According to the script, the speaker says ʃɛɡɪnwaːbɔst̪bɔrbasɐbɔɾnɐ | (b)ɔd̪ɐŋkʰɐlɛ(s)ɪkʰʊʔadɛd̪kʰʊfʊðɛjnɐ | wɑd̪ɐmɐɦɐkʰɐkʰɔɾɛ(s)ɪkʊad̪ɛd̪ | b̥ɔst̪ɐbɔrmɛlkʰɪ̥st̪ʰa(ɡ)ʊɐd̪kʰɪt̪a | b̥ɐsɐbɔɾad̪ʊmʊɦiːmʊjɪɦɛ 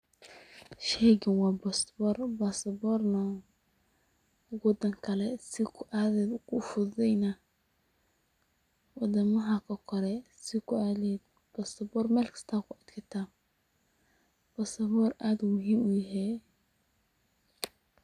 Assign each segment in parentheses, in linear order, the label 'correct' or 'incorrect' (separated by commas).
incorrect, correct, correct, incorrect